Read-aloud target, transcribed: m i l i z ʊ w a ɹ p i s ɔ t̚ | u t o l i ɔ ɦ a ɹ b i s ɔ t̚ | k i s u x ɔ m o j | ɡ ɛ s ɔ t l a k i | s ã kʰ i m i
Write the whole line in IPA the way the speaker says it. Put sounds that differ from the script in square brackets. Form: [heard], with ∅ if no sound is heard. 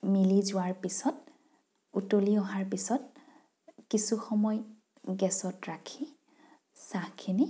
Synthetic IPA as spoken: m i l i z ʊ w a ɹ p i s ɔ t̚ | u t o l i ɔ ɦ a ɹ [p] i s ɔ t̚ | k i s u x ɔ m [ɔ] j | ɡ ɛ s ɔ t [ɹ] a [kʰ] i | s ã kʰ i [n] i

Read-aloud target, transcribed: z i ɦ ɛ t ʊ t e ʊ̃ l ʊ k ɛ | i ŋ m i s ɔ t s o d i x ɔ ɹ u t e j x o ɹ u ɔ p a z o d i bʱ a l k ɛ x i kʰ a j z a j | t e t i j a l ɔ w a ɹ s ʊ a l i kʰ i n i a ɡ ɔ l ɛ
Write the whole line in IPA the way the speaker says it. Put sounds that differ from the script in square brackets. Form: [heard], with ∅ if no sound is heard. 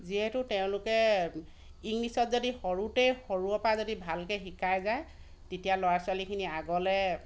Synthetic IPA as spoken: z i ɦ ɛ t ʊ t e ʊ̃ l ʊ k ɛ | i ŋ [n] i s ɔ t [z] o d i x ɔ ɹ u t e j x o ɹ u ɔ p a z o d i bʱ a l k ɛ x i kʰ a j z a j | t e t i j a l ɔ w a ɹ s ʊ a l i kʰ i n i a ɡ ɔ l ɛ

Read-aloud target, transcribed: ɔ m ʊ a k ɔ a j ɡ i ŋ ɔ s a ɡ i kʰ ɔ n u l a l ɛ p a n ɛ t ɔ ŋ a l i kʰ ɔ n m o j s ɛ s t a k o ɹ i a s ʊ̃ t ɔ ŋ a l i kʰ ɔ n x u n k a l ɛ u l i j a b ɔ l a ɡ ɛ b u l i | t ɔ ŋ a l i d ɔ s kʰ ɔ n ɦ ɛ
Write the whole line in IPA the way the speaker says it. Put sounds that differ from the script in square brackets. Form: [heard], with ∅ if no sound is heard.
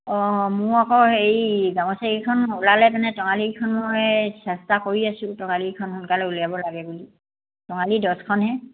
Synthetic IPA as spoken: ɔ m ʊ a k ɔ [e] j ɡ [a] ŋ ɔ s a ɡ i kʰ ɔ n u l a l ɛ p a n ɛ t ɔ ŋ a l i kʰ ɔ n m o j s ɛ s t a k o ɹ i a s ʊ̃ t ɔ ŋ a l i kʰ ɔ n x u n k a l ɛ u l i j a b ɔ l a ɡ ɛ b u l i | t ɔ ŋ a l i d ɔ s kʰ ɔ n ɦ ɛ

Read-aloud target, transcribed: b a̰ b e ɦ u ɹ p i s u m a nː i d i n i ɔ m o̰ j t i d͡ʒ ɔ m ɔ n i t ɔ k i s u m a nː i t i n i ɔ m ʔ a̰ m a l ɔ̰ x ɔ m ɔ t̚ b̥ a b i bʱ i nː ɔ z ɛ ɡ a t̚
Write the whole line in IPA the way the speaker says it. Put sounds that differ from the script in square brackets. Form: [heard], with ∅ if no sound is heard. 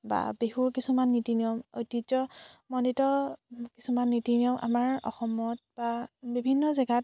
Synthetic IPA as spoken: b a̰ b e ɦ u ɹ [k] i s u m a nː i [t] i n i ɔ m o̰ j t i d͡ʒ ɔ m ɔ n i t ɔ k i s u m a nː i t i n i ɔ m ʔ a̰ m a [ɹ] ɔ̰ x ɔ m ɔ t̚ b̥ a b i bʱ i nː ɔ z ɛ ɡ a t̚

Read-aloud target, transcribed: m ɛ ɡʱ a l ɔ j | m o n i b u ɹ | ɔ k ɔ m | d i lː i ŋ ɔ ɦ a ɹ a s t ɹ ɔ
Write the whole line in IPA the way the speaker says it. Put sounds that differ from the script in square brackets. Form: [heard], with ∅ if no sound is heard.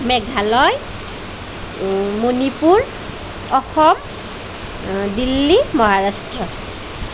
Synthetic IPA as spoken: m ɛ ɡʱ a l ɔ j | m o n i [p] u ɹ | ɔ [x] ɔ m | d i lː i [m] ɔ ɦ a ɹ a s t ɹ ɔ

